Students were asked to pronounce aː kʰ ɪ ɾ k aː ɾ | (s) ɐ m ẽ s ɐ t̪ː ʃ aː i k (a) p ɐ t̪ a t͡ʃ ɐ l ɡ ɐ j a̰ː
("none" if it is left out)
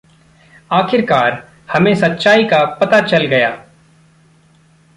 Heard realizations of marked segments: h, a

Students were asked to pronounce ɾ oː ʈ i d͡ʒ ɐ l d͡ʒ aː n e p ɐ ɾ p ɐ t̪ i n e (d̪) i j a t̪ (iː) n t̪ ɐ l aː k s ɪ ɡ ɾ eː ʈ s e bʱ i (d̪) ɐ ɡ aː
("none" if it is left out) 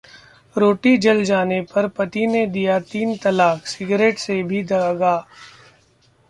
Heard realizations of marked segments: d̪, iː, d̪

